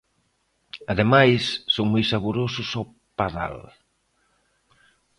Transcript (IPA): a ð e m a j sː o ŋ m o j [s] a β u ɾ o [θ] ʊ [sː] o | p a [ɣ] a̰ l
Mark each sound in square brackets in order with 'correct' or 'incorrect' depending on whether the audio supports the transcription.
correct, incorrect, incorrect, incorrect

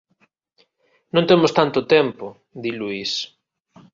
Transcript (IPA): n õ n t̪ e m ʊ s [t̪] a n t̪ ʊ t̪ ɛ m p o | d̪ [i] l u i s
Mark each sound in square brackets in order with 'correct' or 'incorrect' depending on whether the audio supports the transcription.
correct, correct

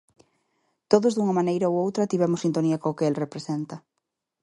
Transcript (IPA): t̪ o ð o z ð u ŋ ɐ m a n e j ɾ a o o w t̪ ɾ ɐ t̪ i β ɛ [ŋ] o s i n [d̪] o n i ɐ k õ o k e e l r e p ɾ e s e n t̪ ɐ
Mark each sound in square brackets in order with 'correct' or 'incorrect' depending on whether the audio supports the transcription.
incorrect, incorrect

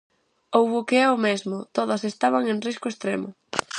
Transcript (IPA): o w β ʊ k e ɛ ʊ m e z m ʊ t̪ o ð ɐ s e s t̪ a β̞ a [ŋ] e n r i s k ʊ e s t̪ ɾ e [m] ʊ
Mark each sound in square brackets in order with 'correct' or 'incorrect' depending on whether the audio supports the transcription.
correct, correct

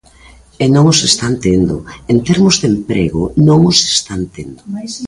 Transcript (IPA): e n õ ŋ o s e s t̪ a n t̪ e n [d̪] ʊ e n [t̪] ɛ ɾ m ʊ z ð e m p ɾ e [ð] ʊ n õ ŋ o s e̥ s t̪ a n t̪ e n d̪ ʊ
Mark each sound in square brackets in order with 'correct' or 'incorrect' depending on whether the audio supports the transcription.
correct, correct, incorrect

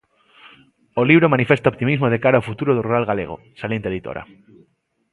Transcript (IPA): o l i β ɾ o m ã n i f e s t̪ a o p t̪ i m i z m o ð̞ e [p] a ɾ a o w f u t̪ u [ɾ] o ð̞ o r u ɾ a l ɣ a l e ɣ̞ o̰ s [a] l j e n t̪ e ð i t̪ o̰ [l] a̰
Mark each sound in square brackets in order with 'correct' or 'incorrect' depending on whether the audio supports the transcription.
incorrect, correct, correct, incorrect

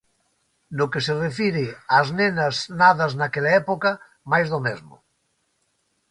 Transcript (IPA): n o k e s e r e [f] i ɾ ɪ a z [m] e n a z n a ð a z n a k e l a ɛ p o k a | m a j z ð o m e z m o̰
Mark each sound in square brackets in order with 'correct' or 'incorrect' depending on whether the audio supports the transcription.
correct, incorrect

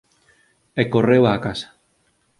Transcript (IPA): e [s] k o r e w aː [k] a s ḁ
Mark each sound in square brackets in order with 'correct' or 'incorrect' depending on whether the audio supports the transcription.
incorrect, correct

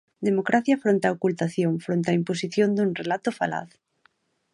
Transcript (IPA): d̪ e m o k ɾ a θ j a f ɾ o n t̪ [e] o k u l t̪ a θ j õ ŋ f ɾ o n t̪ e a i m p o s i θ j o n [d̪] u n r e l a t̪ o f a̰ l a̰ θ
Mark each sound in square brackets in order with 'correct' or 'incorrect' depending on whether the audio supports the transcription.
incorrect, correct

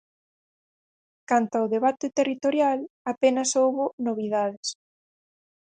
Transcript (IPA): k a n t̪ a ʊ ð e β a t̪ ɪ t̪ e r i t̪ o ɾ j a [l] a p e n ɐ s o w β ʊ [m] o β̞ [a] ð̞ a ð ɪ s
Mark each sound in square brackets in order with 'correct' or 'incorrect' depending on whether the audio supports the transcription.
correct, incorrect, incorrect

